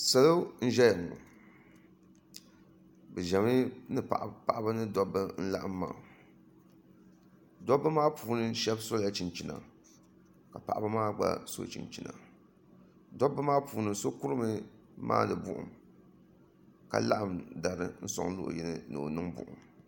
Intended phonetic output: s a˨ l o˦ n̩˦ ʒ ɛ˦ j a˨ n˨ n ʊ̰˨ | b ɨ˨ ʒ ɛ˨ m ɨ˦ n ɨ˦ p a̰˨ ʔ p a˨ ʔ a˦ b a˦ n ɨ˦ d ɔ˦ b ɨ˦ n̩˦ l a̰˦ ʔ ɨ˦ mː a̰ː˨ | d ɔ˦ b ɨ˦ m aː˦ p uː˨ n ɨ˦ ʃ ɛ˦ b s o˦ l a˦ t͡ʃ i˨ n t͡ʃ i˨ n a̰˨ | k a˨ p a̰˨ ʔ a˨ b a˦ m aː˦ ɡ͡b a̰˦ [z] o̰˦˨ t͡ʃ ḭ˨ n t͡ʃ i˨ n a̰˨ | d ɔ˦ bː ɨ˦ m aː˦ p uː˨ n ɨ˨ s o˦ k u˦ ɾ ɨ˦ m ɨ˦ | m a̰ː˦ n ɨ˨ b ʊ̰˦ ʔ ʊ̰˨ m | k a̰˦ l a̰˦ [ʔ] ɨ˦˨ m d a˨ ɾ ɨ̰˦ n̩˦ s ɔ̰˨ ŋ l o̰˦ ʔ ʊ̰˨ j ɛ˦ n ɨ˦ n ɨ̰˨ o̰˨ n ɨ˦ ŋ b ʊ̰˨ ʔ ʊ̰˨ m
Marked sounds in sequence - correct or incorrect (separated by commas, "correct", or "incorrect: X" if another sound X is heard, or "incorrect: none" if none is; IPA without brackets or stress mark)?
incorrect: s, correct